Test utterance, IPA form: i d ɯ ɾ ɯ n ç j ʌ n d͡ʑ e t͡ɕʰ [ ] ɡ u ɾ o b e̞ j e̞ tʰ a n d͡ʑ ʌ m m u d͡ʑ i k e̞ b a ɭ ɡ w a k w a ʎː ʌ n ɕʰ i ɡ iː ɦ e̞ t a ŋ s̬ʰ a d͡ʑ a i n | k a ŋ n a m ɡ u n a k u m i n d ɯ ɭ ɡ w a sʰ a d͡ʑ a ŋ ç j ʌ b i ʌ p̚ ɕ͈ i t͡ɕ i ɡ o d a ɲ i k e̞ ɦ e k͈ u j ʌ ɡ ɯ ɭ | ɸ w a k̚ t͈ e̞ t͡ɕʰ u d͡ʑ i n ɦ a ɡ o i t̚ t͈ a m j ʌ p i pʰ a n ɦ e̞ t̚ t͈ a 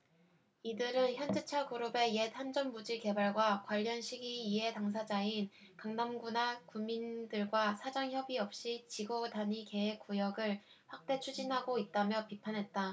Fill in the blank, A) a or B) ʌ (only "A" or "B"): A